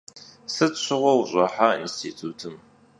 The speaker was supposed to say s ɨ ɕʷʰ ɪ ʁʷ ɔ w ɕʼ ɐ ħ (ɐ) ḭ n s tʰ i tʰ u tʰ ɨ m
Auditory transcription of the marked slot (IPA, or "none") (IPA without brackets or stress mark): a